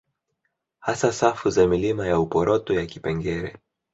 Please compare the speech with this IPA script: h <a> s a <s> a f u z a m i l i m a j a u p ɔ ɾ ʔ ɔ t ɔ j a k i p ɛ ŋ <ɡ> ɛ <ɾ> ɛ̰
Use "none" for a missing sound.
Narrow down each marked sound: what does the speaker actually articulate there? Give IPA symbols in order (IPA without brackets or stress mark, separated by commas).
a, s, ɡ, ɾ